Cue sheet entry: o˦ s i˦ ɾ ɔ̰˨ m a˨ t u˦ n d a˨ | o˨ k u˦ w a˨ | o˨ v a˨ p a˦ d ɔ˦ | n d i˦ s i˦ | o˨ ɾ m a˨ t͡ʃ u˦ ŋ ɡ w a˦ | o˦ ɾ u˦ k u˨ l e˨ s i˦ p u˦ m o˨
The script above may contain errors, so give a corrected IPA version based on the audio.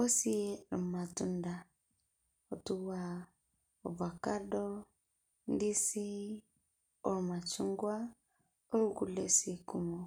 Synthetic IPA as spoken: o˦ s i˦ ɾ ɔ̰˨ m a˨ t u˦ n d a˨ | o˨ t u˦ w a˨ | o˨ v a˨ k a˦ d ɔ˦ | n d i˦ s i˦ | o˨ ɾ m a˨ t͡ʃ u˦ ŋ ɡ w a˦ | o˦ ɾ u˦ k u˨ l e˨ s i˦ k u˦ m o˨